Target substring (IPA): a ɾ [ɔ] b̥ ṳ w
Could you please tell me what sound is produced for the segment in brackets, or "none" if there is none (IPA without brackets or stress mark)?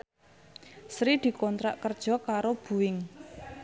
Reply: o